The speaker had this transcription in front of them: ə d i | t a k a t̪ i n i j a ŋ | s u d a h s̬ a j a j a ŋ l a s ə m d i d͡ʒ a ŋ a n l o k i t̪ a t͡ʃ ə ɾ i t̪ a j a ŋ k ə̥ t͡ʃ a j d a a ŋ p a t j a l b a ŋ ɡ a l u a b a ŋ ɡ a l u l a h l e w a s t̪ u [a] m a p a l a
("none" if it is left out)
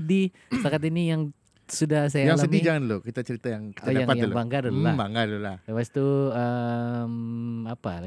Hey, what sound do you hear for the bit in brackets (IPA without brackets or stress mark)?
ə